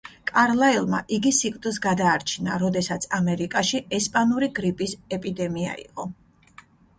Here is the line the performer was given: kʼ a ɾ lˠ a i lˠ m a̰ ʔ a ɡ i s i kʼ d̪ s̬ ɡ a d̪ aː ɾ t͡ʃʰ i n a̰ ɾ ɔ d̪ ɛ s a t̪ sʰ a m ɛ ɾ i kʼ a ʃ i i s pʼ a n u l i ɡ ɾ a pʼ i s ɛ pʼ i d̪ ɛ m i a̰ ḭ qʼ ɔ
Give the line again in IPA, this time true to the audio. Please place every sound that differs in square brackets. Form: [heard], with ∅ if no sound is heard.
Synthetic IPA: kʼ a ɾ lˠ a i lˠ m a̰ ʔ [i] ɡ i s i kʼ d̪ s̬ ɡ a d̪ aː ɾ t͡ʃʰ i n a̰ ɾ ɔ d̪ ɛ s a t̪ sʰ a m ɛ ɾ i kʼ a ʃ i [ɛ] s pʼ a n u [ɾ] i ɡ ɾ [i] pʼ i s ɛ pʼ i d̪ ɛ m i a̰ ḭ qʼ ɔ

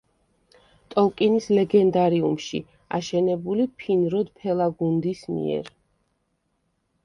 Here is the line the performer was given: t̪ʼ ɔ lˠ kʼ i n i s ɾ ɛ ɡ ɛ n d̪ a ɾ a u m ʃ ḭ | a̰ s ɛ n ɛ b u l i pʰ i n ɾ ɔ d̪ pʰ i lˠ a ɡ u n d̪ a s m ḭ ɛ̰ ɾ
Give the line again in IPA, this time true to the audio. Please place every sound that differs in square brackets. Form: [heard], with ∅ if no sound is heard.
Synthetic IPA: t̪ʼ ɔ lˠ kʼ i n i s [l] ɛ ɡ ɛ n d̪ a ɾ [i] u m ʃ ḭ | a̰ [ʃ] ɛ n ɛ b u l i pʰ i n ɾ ɔ d̪ pʰ [ɛ] lˠ a ɡ u n d̪ [i] s m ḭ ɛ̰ ɾ

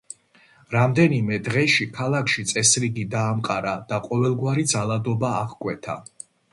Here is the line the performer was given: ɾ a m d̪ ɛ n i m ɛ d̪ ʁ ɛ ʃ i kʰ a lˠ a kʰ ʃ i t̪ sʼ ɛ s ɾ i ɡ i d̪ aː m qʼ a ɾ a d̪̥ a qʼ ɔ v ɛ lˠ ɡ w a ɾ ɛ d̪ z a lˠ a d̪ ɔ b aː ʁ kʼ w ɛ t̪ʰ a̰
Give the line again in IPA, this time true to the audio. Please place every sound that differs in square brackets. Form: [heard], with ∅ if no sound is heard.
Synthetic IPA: ɾ a m d̪ ɛ n i m ɛ d̪ ʁ ɛ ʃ i kʰ a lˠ a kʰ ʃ i t̪ sʼ ɛ s ɾ i ɡ i d̪ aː m qʼ a ɾ a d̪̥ a qʼ ɔ v ɛ lˠ ɡ w a ɾ [i] d̪ z a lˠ a d̪ ɔ b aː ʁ kʼ w ɛ t̪ʰ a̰

